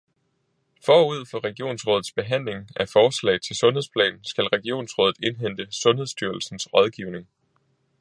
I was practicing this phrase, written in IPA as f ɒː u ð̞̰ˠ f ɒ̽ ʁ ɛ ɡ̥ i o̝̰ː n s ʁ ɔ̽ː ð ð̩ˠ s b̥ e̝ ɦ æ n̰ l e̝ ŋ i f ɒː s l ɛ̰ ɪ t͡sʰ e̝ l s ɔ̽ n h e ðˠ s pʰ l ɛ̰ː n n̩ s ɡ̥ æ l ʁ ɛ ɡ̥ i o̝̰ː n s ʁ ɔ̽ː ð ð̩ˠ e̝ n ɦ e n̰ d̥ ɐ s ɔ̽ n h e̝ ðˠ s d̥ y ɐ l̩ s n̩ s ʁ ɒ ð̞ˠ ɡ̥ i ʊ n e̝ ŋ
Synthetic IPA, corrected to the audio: f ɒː u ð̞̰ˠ f ɒ̽ ʁ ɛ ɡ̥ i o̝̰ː n s ʁ ɔ̽ː ð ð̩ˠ s b̥ e̝ ɦ æ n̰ l e̝ ŋ æ f ɒː s l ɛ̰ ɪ t͡sʰ e̝ l s ɔ̽ n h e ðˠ s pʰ l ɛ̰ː n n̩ s ɡ̥ æ l ʁ ɛ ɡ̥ i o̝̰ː n s ʁ ɔ̽ː ð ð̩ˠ e̝ n ɦ e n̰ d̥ ə s ɔ̽ n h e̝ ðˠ s d̥ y ɐ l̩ s n̩ s ʁ ɒ ð̞ˠ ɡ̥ i ʊ n e̝ ŋ